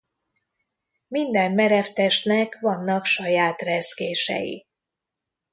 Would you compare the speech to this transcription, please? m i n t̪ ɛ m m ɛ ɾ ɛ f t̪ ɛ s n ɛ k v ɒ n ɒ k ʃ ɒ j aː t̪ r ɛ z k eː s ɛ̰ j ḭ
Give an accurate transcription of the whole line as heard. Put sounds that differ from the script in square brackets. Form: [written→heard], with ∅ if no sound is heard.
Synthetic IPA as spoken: m i n [t̪→d̪] ɛ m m ɛ ɾ ɛ f t̪ ɛ [s→ʃ] n ɛ k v ɒ [n→nː] ɒ k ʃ ɒ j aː t̪ r ɛ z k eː [s→ʃ] ɛ̰ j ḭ